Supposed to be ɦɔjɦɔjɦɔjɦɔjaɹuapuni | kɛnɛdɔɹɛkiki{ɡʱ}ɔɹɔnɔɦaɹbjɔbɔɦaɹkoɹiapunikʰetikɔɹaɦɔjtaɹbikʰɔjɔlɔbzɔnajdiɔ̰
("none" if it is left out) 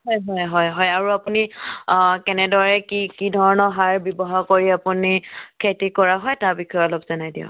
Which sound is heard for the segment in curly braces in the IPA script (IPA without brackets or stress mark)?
dʱ